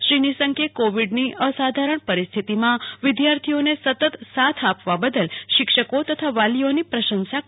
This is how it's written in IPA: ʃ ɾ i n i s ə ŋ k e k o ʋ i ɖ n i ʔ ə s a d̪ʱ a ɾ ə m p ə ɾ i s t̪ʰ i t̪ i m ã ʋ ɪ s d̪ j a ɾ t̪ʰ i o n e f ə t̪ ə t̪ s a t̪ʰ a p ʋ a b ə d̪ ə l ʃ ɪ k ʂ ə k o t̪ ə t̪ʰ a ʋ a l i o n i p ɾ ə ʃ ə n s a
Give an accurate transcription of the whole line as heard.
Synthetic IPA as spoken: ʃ ɾ i n i s ə ŋ k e k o ʋ i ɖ n i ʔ ə s a d̪ʱ a ɾ ə ɳ p ə ɾ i s t̪ʰ i t̪ i m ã ʋ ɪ d̪ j a ɾ t̪ʰ i o n e s ə t̪ ə t̪ s a t̪ʰ a p ʋ a b ə d̪ ə l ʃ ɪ k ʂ ə k o t̪ ə t̪ʰ a ʋ a l i o n i p ɾ ə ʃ ə n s a

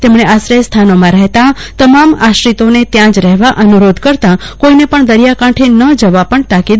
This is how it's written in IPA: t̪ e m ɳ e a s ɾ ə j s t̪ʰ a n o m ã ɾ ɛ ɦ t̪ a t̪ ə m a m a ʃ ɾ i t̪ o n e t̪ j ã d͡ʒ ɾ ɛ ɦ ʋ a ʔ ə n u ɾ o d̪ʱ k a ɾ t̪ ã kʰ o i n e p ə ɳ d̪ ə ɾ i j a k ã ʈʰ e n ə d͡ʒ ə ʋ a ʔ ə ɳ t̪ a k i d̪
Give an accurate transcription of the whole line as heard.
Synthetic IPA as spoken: t̪ e m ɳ e a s ɾ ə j s t̪ʰ a n o m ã ɾ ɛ ɦ t̪ a t̪ ə m a m a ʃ ɾ i t̪ o n e t̪ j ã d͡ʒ ɾ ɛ ɦ ʋ a ʔ ə n u ɾ o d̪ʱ k ə ɾ t̪ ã k o i n e p ə ɳ d̪ ə ɾ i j a k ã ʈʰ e n ə d͡ʒ ə ʋ a p ə ɳ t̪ a k i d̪

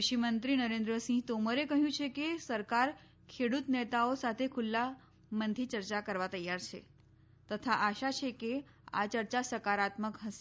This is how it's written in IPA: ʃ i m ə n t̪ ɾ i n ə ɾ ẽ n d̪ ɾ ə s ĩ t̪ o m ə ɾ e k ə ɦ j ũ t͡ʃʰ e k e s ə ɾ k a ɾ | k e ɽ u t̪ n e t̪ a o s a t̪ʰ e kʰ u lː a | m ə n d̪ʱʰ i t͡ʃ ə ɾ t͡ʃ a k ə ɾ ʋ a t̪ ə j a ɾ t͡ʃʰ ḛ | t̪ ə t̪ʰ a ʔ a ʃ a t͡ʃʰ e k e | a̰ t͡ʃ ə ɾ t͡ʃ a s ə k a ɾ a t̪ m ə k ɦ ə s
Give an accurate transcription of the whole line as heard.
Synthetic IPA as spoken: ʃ i m ə n t̪ ɾ i n ə ɾ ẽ n d̪ ɾ ə s ĩ t̪ o m ə ɾ e k ə ɦ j ũ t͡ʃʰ e k e s ə ɾ k a ɾ | kʰ e ɽ u t̪ n e t̪ a o s a t̪ʰ e kʰ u lː a | m ə n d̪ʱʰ i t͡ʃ ə ɾ t͡ʃ a k ə ɾ ʋ a t̪ ə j a ɾ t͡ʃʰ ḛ | t̪ ə t̪ʰ a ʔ a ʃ a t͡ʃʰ e k e | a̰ t͡ʃ ə ɾ t͡ʃ a s ə k a ɾ a t̪ m ə k ɦ ə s

